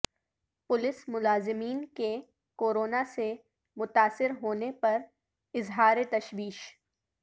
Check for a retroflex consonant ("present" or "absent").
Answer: absent